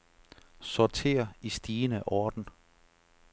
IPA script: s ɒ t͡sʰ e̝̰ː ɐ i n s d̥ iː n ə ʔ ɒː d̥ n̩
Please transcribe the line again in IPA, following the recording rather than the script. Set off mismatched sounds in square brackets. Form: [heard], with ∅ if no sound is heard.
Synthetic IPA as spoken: s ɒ t͡sʰ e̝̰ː ɐ i [∅] s d̥ iː n ə ʔ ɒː d̥ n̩